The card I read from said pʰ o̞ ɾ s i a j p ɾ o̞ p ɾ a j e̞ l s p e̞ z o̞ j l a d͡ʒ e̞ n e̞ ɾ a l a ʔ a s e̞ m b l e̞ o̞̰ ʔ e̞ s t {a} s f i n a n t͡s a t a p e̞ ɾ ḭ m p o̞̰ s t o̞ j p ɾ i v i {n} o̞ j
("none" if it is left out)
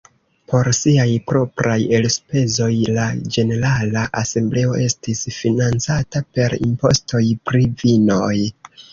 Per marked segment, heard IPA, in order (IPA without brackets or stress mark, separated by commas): i, n